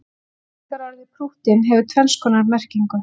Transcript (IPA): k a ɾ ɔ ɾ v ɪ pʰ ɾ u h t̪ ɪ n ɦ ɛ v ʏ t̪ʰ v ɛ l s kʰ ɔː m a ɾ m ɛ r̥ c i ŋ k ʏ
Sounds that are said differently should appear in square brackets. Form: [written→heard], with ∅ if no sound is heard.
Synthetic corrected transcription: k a ɾ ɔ ɾ [v→ð] ɪ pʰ ɾ u h t̪ ɪ n ɦ ɛ v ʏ t̪ʰ v ɛ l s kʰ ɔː [m→n] a ɾ m ɛ r̥ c i ŋ k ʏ

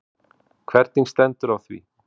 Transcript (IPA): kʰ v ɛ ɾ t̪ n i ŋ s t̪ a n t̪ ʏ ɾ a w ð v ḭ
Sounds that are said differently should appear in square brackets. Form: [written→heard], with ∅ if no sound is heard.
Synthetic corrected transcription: kʰ v ɛ ɾ t̪ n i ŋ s t̪ [a→ɛ] n t̪ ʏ ɾ a w [ð→θ] v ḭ

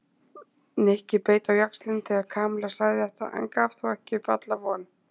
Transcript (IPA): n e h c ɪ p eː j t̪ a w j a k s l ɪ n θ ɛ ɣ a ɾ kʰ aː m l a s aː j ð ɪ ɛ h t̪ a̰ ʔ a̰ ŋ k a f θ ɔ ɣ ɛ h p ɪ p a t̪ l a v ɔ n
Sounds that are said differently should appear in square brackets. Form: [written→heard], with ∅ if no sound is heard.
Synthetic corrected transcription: n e h c ɪ p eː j t̪ a w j a k s l ɪ n θ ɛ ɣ a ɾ kʰ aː m l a s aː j ð ɪ ɛ h t̪ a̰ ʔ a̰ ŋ k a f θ ɔ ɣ ɛ h [p→c] ɪ p a t̪ l a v ɔ n

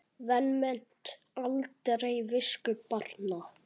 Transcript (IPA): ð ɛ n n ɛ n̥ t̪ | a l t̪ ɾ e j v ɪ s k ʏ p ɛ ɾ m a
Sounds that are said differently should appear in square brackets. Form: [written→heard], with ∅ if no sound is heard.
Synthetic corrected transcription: ð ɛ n [n→m] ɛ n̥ t̪ | a l t̪ ɾ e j v ɪ s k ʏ p [ɛ→a] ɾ [m→n] a

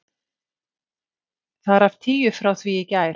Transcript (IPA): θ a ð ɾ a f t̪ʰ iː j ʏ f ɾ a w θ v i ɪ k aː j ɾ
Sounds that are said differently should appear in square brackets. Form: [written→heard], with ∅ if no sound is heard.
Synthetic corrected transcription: θ a ð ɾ a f t̪ʰ iː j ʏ f ɾ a w θ v i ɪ [k→c] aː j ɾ

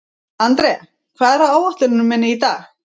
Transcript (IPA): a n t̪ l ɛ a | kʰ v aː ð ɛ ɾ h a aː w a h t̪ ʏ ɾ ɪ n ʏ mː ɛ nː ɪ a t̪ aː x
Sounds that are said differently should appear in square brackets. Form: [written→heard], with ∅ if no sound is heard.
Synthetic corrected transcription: a n t̪ [l→ɾ] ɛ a | kʰ v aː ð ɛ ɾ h a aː w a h t̪ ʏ ɾ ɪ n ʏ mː ɛ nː ɪ [a→i] t̪ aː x

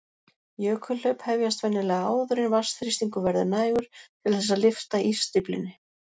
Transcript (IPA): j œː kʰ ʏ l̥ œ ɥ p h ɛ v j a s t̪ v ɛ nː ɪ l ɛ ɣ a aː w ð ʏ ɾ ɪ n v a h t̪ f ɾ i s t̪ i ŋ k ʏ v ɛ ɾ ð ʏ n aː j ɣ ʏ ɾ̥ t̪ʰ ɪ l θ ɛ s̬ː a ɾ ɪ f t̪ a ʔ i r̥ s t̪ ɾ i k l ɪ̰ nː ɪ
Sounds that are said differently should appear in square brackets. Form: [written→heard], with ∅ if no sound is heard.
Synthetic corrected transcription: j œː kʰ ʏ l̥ œ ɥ p h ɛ v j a s t̪ v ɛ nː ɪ l ɛ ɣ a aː w ð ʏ ɾ ɪ n v a [h→s] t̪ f ɾ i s t̪ i ŋ k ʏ v ɛ ɾ ð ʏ n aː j ɣ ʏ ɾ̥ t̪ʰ ɪ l θ ɛ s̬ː a [ɾ→l] ɪ f t̪ a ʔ i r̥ s t̪ ɾ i [k→p] l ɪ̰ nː ɪ

